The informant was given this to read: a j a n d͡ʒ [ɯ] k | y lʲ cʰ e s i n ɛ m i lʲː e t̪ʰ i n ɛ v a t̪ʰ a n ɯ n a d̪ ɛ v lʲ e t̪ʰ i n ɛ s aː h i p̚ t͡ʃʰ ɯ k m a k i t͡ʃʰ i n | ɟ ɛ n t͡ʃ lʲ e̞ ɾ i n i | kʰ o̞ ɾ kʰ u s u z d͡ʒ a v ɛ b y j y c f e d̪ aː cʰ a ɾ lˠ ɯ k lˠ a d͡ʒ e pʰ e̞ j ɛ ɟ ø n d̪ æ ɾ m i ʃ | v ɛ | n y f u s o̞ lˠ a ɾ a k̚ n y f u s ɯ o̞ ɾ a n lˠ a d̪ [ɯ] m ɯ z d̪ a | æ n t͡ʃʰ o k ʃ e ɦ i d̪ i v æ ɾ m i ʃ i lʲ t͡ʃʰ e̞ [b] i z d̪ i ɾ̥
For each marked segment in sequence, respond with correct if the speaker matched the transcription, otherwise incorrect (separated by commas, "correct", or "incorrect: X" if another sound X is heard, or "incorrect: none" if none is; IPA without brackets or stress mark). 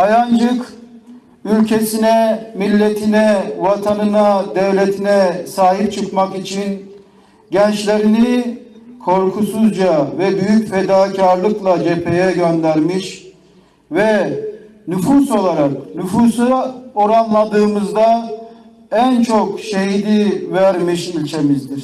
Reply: correct, incorrect: ɯː, incorrect: m